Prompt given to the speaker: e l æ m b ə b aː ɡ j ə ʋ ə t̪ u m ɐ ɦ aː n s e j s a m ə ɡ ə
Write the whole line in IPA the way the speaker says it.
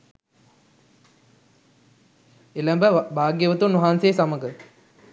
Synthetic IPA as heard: e l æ m b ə b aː ɡ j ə ʋ ə t̪ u n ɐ ɦ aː n s e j s a m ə ɡ ə

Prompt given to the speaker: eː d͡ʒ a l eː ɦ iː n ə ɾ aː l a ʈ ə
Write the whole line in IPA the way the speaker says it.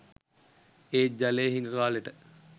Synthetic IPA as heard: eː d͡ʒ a l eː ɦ i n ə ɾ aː l e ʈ ə

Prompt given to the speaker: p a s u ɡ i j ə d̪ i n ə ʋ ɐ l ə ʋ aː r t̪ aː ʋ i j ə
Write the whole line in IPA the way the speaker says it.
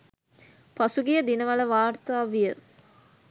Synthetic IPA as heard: p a s u ɡ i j ə d̪ i n ə ʋ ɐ l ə ʋ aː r t̪ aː ʋ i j ə

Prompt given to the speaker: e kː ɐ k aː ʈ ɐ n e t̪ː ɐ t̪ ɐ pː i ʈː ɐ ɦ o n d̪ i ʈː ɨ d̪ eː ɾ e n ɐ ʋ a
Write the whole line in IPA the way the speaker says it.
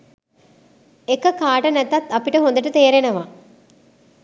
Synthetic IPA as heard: e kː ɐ k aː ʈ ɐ n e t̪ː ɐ t̪ ɐ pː i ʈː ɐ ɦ o n d̪ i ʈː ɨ t̪ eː ɾ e n ɐ ʋ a

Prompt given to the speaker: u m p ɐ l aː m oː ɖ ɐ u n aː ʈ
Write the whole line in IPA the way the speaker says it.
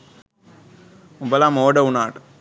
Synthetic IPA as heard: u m b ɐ l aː m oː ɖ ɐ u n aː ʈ

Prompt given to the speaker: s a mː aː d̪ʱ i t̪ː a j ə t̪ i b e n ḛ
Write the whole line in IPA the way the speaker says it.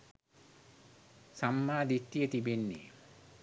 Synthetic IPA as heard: s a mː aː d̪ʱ i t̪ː i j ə t̪ i b e nː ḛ

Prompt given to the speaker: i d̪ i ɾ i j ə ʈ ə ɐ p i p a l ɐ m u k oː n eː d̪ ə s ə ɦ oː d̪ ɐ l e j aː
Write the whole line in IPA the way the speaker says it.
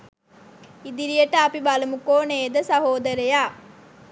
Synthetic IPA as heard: i d̪ i ɾ i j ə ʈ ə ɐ p i b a l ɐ m u k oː n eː d̪ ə s ɐ ɦ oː d̪ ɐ ɾ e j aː

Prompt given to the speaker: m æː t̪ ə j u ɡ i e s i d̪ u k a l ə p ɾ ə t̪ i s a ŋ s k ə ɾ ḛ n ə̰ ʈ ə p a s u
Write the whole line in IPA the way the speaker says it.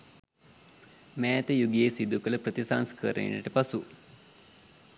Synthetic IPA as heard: m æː t̪ ə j u ɡ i e s i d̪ u k ə l ə p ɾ ə t̪ i s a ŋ s k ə ɾ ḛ n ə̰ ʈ ə p a s u

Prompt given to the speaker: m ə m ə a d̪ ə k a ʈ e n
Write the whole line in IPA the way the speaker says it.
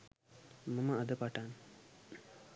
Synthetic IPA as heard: m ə m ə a d̪ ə p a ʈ a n

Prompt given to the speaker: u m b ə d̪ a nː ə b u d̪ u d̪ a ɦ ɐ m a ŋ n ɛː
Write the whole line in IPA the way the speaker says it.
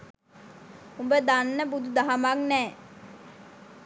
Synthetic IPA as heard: u m b ə d̪ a nː ə b u d̪ u d̪ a ɦ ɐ m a ŋ n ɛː

